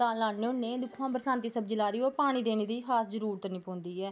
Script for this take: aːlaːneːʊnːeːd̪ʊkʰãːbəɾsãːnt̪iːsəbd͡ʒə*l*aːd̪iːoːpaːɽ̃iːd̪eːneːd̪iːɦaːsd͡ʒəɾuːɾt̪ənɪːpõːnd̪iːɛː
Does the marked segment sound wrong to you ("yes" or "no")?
no